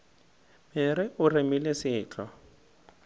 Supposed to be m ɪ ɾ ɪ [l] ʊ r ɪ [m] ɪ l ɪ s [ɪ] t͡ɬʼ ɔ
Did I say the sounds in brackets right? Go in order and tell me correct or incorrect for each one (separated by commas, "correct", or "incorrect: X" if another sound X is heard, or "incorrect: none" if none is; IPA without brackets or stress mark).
incorrect: none, correct, incorrect: ɪː